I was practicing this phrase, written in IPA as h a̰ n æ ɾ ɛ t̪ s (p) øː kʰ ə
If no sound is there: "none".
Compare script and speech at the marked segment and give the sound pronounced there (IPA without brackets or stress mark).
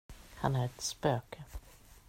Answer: p